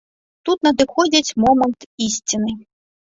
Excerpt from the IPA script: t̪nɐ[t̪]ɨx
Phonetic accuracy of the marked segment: incorrect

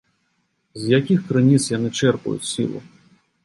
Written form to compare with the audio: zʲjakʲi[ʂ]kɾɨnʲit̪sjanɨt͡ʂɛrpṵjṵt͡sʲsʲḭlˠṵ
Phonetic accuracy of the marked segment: incorrect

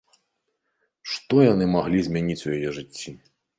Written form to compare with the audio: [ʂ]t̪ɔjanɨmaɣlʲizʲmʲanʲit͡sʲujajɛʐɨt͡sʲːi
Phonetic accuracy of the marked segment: correct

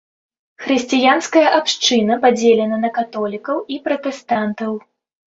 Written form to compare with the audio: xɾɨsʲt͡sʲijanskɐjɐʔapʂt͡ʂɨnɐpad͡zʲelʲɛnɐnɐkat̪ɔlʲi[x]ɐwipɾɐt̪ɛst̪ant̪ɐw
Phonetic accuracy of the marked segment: incorrect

